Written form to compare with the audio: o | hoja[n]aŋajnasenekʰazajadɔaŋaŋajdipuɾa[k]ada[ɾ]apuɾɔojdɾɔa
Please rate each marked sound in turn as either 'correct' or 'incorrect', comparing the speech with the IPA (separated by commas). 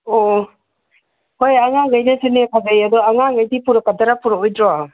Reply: incorrect, correct, correct